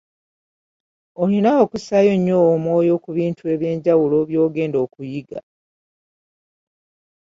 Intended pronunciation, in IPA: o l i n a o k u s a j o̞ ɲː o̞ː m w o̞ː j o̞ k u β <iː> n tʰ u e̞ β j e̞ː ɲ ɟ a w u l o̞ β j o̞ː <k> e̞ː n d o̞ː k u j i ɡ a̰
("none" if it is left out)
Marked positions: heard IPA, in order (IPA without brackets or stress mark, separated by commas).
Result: iː, ɡ